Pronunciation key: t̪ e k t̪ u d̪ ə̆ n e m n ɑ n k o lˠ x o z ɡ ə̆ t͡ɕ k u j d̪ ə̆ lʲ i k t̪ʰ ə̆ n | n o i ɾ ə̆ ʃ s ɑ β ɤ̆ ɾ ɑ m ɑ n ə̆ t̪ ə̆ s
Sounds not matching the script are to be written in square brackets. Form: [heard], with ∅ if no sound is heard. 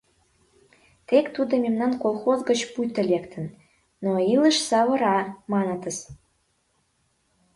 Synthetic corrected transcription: t̪ e k t̪ u d̪ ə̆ [m] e m n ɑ n k o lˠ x o z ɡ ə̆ t͡ɕ [p] u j [t̪] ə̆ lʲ [e] k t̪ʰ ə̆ n | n o i [l] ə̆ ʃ s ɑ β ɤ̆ ɾ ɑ m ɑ n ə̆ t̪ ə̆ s